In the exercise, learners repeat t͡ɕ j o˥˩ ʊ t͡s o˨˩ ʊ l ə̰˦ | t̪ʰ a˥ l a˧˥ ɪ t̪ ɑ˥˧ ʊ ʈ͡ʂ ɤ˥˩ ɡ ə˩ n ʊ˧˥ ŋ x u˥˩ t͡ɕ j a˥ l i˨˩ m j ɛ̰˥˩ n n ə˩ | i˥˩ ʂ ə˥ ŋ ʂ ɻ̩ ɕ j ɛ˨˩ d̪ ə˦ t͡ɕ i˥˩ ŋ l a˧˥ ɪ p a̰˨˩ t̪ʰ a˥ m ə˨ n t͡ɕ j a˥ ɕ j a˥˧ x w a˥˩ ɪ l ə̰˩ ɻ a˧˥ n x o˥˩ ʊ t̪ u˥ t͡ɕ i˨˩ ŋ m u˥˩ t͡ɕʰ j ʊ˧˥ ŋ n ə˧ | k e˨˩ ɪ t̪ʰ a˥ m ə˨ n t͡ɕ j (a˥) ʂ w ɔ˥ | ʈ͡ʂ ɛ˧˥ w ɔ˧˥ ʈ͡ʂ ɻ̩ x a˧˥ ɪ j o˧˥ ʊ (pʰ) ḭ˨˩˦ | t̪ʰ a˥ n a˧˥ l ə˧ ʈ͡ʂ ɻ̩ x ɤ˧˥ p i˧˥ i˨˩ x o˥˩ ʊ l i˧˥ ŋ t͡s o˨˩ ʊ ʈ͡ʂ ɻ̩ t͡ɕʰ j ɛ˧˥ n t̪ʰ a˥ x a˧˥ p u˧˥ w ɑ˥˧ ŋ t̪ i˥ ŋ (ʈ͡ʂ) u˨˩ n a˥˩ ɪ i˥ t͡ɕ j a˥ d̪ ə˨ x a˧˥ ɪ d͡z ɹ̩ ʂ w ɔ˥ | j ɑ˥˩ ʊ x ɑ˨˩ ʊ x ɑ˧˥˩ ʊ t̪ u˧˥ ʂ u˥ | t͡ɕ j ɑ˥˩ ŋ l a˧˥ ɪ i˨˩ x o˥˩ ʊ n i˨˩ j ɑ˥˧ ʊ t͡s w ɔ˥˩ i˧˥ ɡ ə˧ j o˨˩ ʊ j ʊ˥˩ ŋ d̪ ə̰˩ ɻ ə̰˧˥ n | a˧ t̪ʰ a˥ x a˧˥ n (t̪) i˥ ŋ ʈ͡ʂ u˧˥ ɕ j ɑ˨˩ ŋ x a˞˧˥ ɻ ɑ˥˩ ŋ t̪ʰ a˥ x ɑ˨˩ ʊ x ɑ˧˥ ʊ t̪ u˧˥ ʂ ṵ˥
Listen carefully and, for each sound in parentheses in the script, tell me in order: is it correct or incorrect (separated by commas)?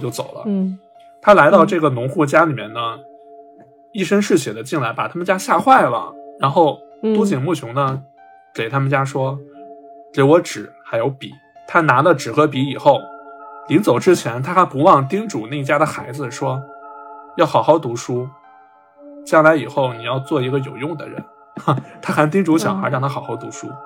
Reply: correct, incorrect, correct, correct